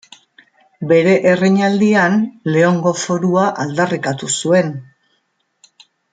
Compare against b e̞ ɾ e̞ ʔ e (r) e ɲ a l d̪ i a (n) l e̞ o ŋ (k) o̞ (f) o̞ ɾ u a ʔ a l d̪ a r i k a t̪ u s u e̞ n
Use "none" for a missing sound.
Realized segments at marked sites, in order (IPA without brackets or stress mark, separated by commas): r, n, ɡ, f